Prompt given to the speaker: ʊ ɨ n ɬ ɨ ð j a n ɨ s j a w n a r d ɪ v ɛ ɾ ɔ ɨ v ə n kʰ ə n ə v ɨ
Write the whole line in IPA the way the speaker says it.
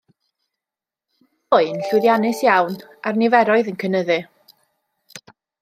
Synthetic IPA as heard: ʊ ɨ n ɬ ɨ ð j a n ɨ s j a w n a r n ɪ v ɛ ɾ ɔ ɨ ð ə n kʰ ə n ə ð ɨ